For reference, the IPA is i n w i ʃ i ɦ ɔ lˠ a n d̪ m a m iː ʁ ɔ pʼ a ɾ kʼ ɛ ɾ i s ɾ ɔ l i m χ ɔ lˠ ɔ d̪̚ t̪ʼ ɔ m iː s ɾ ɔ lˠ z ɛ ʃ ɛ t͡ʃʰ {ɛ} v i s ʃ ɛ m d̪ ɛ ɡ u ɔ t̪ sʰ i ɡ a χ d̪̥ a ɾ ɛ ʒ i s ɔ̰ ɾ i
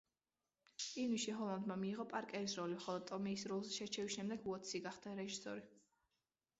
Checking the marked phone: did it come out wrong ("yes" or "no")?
no